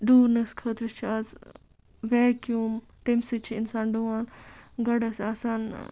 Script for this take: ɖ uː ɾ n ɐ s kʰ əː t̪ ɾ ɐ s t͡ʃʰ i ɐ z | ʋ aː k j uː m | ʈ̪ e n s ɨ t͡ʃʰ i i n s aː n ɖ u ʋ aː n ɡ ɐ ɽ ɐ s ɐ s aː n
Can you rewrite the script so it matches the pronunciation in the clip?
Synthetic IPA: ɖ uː ɾ n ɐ s kʰ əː t̪ ɾ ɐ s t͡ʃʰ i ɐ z | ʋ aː k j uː m | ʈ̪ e m s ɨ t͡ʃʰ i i n s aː n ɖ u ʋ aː n ɡ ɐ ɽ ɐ s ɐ s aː n